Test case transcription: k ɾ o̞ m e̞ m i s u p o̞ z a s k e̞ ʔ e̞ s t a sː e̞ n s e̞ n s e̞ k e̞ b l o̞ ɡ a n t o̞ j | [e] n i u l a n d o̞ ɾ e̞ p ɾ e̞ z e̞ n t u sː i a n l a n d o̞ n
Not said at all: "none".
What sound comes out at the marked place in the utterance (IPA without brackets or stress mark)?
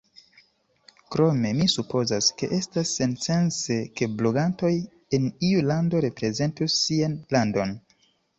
e